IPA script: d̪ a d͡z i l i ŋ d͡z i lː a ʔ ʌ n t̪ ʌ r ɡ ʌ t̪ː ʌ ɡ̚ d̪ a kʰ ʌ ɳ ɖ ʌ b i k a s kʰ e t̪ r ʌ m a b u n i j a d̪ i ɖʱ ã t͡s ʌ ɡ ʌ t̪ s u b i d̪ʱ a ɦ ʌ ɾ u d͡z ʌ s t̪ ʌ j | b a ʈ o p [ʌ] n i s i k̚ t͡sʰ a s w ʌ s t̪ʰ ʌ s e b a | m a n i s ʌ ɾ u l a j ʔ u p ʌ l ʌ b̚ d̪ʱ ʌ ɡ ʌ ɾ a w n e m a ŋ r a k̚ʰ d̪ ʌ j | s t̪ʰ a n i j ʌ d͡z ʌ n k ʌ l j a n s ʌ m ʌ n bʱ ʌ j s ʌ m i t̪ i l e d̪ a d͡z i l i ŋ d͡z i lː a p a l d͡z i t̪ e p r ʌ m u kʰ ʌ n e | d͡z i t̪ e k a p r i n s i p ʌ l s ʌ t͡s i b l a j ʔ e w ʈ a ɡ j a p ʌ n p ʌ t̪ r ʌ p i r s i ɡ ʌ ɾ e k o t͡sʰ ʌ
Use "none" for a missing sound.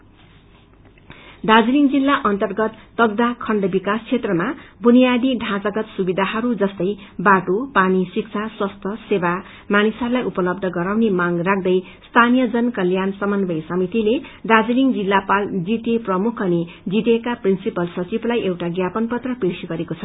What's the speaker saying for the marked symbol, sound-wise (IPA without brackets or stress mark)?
a